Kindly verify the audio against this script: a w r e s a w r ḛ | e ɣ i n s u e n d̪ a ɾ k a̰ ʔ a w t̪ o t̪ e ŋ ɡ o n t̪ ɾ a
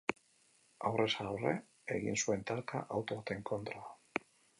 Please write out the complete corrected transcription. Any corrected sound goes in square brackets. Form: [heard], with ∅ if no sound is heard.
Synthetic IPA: a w r e s a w r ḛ | e ɣ i n s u e n [t̪] a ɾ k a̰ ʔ a w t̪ o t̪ e ŋ [k] o n t̪ ɾ a